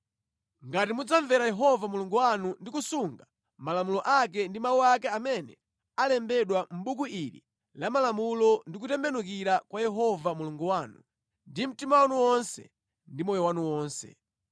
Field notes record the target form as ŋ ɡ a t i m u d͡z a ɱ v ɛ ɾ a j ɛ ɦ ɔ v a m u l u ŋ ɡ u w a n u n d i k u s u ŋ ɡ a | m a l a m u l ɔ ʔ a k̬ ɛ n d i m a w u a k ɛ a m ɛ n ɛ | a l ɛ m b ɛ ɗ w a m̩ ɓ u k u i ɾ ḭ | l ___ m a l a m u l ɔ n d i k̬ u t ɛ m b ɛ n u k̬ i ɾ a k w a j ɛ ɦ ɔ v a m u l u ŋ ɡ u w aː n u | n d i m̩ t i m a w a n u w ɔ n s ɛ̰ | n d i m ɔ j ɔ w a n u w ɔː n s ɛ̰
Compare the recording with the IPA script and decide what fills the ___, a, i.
a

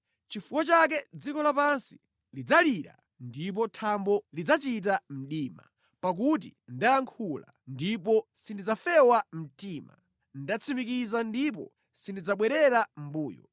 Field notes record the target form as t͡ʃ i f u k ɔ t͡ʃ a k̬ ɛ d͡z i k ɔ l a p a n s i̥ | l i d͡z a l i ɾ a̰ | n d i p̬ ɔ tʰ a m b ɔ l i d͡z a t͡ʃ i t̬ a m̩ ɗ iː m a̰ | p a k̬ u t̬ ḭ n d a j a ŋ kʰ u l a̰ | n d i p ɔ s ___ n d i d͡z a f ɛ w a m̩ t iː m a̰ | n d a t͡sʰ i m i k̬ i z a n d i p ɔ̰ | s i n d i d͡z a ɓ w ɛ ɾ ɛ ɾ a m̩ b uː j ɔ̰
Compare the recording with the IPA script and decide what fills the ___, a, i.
i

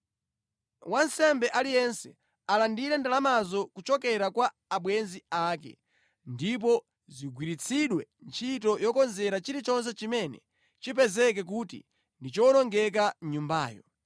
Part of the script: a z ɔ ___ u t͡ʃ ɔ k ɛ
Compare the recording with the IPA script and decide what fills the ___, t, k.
k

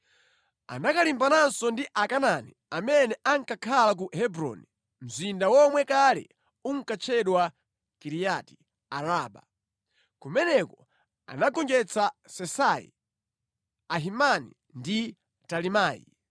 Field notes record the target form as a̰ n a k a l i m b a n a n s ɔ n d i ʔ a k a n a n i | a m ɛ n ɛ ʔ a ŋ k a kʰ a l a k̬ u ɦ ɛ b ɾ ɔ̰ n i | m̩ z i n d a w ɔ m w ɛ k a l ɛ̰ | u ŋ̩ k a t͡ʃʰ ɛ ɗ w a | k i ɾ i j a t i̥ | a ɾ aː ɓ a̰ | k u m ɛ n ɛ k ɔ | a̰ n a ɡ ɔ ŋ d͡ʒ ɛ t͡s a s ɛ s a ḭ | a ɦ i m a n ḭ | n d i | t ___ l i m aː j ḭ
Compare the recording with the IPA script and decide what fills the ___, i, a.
a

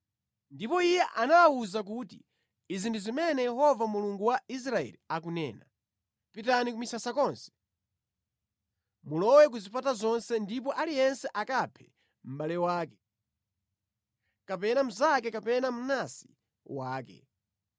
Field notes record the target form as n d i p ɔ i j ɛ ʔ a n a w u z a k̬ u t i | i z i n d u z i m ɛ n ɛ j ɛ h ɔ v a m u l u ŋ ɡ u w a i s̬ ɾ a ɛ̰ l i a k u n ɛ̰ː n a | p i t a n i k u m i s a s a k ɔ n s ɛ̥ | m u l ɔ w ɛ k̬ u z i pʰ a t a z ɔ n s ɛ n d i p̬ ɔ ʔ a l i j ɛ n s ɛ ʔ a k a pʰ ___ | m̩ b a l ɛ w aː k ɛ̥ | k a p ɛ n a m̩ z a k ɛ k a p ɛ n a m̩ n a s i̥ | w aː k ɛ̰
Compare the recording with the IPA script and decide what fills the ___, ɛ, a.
ɛ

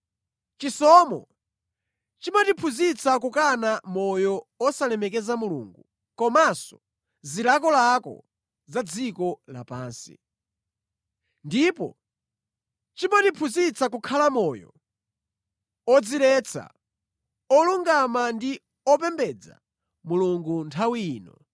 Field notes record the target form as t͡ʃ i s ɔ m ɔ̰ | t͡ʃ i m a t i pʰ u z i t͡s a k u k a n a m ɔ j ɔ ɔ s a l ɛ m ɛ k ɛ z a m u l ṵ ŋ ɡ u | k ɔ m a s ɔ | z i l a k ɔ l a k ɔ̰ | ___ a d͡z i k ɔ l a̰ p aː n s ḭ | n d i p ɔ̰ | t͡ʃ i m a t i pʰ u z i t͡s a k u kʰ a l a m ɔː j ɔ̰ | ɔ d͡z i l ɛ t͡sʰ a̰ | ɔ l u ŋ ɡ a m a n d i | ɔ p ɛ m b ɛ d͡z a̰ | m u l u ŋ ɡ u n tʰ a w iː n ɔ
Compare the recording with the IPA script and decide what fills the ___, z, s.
z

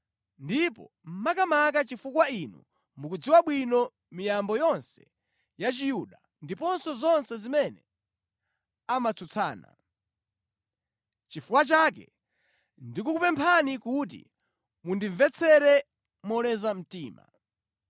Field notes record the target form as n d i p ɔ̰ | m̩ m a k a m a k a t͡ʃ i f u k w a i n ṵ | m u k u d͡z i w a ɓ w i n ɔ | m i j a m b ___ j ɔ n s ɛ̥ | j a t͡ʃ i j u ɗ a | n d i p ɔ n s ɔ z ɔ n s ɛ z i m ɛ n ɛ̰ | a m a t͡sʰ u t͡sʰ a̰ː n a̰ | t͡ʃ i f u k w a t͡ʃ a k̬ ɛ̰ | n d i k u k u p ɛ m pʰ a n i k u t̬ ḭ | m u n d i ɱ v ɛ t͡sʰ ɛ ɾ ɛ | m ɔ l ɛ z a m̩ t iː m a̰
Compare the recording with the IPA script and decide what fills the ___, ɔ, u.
ɔ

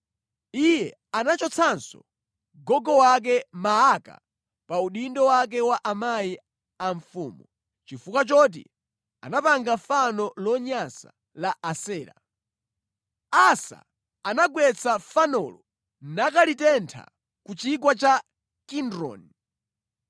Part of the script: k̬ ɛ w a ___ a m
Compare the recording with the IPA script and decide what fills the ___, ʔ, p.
ʔ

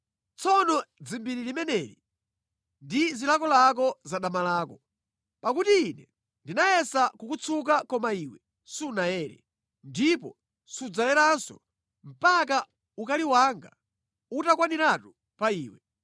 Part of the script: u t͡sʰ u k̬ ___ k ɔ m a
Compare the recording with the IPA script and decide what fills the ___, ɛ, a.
a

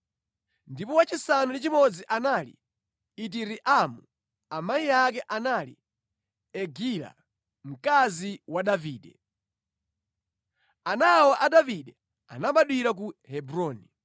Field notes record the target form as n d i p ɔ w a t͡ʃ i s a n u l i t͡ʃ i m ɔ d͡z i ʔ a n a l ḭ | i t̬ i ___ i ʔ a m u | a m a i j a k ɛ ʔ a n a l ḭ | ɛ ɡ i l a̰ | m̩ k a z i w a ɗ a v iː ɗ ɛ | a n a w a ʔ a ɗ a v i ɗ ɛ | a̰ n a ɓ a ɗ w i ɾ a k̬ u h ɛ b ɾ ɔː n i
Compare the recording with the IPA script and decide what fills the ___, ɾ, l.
ɾ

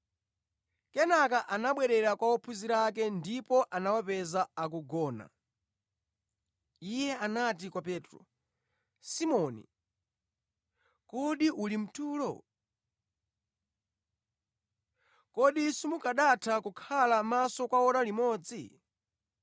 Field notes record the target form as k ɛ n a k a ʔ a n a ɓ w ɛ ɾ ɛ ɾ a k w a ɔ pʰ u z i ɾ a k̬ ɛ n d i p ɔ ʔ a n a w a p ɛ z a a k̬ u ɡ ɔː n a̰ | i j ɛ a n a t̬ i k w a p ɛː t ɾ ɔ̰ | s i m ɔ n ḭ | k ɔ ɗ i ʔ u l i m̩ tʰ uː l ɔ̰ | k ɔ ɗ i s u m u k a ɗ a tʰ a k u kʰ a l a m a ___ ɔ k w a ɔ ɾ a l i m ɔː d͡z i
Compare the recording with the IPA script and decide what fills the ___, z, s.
s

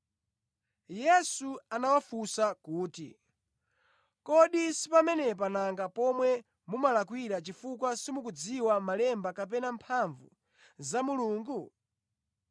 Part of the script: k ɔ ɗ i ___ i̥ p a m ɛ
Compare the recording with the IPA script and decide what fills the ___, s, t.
s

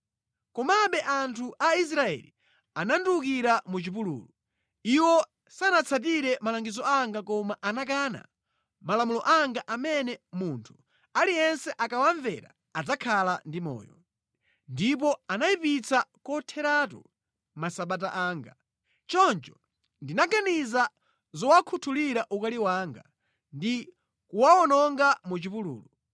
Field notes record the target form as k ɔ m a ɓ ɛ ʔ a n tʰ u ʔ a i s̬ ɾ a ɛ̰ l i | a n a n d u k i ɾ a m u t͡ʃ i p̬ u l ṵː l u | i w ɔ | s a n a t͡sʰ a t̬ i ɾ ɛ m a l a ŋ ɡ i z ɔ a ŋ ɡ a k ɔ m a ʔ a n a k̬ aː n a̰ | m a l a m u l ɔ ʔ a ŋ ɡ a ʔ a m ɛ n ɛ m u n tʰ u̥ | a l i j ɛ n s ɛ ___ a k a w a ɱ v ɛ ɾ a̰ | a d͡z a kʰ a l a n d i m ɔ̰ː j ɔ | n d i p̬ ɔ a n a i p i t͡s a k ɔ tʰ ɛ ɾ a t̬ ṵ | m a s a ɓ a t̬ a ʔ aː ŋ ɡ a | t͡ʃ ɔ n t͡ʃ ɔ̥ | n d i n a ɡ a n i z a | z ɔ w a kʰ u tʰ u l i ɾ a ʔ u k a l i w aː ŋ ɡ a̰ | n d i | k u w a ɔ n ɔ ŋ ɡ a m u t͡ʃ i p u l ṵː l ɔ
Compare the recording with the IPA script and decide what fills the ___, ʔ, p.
ʔ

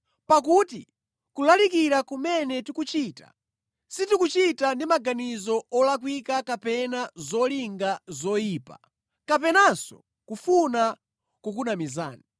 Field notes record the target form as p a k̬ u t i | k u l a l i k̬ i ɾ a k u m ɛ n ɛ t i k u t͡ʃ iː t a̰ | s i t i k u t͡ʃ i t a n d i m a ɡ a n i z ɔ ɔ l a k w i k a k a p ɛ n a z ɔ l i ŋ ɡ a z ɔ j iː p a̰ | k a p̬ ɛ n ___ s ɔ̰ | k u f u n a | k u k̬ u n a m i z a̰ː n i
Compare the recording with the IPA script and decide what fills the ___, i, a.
a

